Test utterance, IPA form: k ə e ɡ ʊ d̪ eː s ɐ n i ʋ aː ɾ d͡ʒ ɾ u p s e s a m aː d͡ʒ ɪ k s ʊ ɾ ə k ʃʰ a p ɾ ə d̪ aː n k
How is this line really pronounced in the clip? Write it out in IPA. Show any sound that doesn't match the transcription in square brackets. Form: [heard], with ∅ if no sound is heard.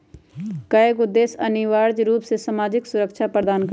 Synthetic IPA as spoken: k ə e ɡ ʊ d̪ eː s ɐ n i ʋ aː ɾ d͡ʒ ɾ [uː] p s e s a m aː d͡ʒ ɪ k s ʊ ɾ ə k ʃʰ a p ɾ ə d̪ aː n k